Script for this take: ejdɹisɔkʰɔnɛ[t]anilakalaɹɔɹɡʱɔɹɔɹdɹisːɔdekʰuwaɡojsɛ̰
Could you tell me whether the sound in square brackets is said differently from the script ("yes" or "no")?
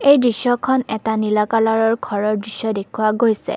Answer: no